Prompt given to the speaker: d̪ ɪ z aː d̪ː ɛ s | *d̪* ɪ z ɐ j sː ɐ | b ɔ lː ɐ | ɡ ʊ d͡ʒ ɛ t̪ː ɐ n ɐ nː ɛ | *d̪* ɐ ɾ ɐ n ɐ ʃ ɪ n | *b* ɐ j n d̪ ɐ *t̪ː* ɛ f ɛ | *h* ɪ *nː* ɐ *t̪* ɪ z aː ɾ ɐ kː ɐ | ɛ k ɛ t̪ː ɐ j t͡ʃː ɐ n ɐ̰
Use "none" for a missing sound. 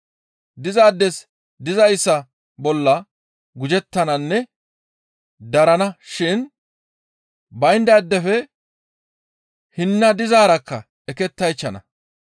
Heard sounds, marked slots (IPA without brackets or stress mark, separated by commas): d̪, d̪, b, d̪ː, h, nː, d̪